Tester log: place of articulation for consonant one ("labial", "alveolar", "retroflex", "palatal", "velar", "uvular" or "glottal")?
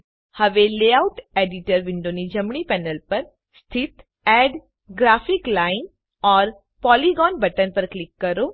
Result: glottal